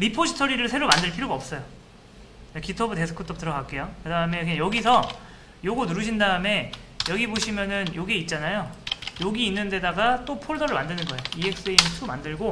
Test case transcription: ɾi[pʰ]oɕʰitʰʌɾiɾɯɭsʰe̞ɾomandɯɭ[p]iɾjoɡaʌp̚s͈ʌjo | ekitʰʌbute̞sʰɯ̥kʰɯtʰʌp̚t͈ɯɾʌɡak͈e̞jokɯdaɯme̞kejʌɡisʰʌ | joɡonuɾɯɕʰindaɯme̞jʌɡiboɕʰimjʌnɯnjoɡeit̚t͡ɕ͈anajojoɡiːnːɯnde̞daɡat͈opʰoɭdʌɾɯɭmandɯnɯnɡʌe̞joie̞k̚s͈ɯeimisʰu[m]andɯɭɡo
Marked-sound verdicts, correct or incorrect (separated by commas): correct, incorrect, correct